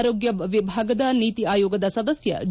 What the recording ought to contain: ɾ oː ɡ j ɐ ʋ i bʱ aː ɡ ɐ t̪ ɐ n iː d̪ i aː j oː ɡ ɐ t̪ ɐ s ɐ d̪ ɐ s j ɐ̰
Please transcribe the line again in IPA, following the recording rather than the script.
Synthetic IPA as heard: ɾ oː ɡ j ɐ ʋ i bʱ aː ɡ ɐ d̪ ɐ n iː t̪ i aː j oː ɡ ɐ d̪ ɐ s ɐ d̪ ɐ s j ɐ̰

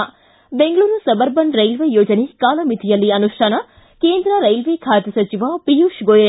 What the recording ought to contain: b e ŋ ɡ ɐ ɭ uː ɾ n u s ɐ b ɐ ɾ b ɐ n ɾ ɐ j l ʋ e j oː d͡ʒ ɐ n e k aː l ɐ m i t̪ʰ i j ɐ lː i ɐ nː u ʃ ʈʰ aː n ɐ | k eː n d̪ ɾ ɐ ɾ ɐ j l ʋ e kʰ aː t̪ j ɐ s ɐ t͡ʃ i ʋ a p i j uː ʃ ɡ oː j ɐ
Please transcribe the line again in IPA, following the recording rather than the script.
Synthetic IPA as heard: b e ŋ ɡ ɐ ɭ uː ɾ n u s ɐ b ɐ ɾ b ɐ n ɾ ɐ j l ʋ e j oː d͡ʒ ɐ n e k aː l ɐ m i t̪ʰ i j ɐ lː i ɐ n u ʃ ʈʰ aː n ɐ | k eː n d̪ ɾ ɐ ɾ ɐ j l ʋ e kʰ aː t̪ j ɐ s ɐ t͡ʃ i ʋ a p i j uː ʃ ɡ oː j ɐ

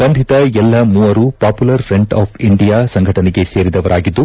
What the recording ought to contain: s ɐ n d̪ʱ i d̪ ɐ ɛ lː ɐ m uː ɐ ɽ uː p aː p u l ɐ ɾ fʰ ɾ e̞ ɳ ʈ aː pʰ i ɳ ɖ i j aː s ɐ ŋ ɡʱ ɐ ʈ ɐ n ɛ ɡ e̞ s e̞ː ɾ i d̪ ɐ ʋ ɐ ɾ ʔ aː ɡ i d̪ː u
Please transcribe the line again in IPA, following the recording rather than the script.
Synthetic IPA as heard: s ɐ n d̪ʱ i t̪ ɐ ɛ lː ɐ m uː ɐ ɾ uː p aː p u l ɐ ɾ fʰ ɾ e̞ ɳ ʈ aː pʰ i ɳ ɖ i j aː s ɐ ŋ ɡʱ ɐ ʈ ɐ n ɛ ɡ e̞ s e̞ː ɾ i d̪ ɐ ʋ ɐ ɾ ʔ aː ɡ i d̪ː u

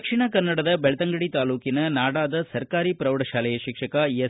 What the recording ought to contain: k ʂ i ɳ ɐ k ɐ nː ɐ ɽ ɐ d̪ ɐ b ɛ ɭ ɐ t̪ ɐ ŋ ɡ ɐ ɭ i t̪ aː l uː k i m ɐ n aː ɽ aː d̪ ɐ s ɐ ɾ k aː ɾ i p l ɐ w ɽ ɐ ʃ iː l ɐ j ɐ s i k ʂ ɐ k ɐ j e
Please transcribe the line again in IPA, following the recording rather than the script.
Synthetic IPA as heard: k ʂ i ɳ ɐ k ɐ nː ɐ ɽ ɐ d̪ ɐ b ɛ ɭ ɐ t̪ ɐ ŋ ɡ ɐ ɽ i t̪ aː l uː k i n ɐ n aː ɽ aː d̪ ɐ s ɐ ɾ k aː ɾ i p ɾ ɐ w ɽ ɐ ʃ aː l ɐ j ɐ ʃ i k ʂ ɐ k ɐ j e

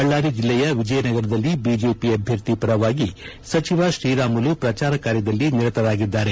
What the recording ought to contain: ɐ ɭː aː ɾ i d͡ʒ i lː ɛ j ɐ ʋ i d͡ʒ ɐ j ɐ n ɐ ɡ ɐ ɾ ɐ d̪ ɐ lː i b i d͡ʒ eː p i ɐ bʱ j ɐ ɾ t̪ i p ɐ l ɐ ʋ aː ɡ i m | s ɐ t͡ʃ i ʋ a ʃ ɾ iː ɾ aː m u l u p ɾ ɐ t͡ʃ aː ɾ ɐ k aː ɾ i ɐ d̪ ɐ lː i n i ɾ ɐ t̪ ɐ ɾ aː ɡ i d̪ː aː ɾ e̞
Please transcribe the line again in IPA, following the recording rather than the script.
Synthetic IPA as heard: ɐ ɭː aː ɾ i d͡ʒ i lː ɛ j ɐ ʋ i d͡ʒ ɐ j ɐ n ɐ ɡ ɐ ɾ ɐ d̪ ɐ lː i b i d͡ʒ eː p i ɐ bʱ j ɐ ɾ t̪ i p ɐ ɾ ɐ ʋ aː ɡ i | s ɐ t͡ʃ i ʋ a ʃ ɾ iː ɾ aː m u l u p ɾ ɐ t͡ʃ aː ɾ ɐ k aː ɾ j ɐ d̪ ɐ lː i n i ɾ ɐ t̪ ɐ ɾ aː ɡ i d̪ː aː ɾ e̞

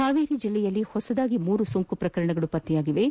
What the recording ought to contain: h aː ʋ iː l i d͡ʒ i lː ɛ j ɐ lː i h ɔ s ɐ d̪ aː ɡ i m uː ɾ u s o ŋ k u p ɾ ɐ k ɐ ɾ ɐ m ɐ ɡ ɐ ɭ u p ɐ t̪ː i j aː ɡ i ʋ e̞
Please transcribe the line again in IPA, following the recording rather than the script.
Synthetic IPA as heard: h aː ʋ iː ɾ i d͡ʒ i lː ɛ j ɐ lː i h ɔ s ɐ d̪ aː ɡ i m uː ɾ u s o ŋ k u p ɾ ɐ k ɐ ɾ ɐ ɳ ɐ ɡ ɐ ɭ u p ɐ t̪ː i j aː ɡ i ʋ e̞

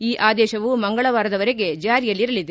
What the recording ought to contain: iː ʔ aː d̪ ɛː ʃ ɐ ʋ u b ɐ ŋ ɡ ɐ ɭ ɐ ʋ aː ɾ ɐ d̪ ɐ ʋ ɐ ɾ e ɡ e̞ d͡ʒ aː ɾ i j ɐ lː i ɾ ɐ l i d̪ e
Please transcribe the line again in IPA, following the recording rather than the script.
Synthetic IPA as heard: iː ʔ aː d̪ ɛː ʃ ɐ ʋ u m ɐ ŋ ɡ ɐ ɭ ɐ ʋ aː ɾ ɐ d̪ ɐ ʋ ɐ ɾ e ɡ e̞ d͡ʒ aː ɾ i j ɐ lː i ɾ ɐ l i d̪ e

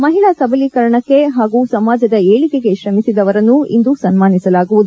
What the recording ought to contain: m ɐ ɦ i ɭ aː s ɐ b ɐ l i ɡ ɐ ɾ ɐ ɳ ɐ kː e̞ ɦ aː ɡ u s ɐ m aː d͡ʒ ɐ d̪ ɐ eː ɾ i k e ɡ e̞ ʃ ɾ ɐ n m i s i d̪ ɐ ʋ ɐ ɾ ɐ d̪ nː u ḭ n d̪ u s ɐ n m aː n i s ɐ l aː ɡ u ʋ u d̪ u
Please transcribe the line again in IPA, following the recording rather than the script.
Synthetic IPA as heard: m ɐ ɦ i ɭ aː s ɐ b ɐ l i k ɐ ɾ ɐ ɳ ɐ kː e̞ ɦ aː ɡ u s ɐ m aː d͡ʒ ɐ d̪ ɐ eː ɭ i k e ɡ e̞ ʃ ɾ ɐ m i s i d̪ ɐ ʋ ɐ ɾ ɐ nː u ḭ n d̪ u s ɐ n m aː n i s ɐ l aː ɡ u ʋ u d̪ u

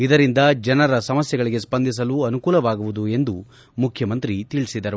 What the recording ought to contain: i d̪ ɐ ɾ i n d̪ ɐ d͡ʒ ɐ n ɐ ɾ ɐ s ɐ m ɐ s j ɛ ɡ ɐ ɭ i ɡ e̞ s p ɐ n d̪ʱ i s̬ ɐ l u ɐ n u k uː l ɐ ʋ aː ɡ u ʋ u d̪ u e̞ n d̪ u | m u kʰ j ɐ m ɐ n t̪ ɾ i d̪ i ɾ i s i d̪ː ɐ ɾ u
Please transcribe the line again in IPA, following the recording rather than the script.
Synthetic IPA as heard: i d̪ ɐ ɾ i n d̪ ɐ d͡ʒ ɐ n ɐ ɾ ɐ s ɐ m ɐ s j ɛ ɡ ɐ ɭ i ɡ e̞ s p ɐ n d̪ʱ i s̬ ɐ l u ɐ n u k uː l ɐ ʋ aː ɡ u ʋ u d̪ u e̞ n d̪ u | m u kʰ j ɐ m ɐ n t̪ ɾ i t̪ i ɭ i s i d̪ ɐ ɾ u

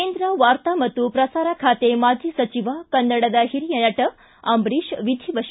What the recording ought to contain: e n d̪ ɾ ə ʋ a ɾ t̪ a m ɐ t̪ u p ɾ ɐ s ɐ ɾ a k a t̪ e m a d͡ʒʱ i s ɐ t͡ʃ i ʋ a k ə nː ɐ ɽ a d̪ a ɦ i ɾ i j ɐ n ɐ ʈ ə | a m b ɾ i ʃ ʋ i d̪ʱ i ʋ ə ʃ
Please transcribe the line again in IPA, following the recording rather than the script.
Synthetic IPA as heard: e n d̪ ɾ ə ʋ a ɾ t̪ a m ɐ t̪ u p ɾ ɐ s a ɾ a kʰ a t̪ e m a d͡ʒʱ i s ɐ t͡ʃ i ʋ a k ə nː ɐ ɽ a d̪ a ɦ i ɾ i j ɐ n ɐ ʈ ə | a m b ɾ i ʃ ʋ i d̪ʱ i ʋ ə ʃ

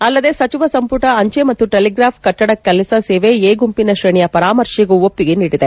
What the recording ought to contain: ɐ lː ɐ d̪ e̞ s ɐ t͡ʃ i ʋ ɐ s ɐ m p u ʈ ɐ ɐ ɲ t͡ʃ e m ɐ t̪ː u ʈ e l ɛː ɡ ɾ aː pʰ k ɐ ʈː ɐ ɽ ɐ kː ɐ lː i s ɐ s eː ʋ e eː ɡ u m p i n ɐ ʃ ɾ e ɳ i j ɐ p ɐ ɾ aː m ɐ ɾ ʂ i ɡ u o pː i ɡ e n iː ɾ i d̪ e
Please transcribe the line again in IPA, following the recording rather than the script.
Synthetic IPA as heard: ɐ lː ɐ d̪ e̞ s ɐ t͡ʃ i ʋ ɐ s ɐ m p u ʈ ɐ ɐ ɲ t͡ʃ e m ɐ t̪ː u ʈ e l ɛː ɡ ɾ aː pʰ k ɐ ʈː ɐ ɽ ɐ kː ɐ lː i s ɐ s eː ʋ e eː ɡ u m p i n ɐ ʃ ɾ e ɳ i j ɐ p ɐ ɾ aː m ɐ ɾ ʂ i ɡ u o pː i ɡ e n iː ɽ i d̪ e

